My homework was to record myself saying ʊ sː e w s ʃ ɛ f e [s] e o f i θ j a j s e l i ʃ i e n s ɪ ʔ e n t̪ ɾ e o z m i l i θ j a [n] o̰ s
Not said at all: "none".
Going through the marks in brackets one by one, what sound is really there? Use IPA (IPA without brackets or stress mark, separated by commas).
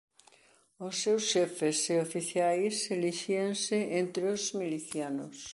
s, n